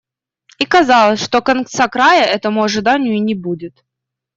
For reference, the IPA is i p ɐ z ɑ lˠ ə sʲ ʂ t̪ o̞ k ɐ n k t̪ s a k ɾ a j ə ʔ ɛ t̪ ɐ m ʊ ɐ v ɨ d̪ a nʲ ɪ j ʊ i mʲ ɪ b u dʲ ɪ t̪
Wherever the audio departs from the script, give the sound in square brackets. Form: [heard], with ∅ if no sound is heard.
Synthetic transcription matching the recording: i [k] ɐ z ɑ lˠ ə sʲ ʂ t̪ o̞ k ɐ n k t̪ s a k ɾ a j ə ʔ ɛ t̪ [ə] m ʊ ɐ [ʐ] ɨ d̪ a nʲ ɪ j ʊ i [nʲ] ɪ b u dʲ ɪ t̪